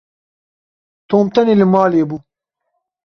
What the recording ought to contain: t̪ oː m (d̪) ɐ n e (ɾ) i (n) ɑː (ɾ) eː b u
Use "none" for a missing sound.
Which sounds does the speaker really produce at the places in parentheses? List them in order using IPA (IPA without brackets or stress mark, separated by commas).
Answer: t̪, l, m, l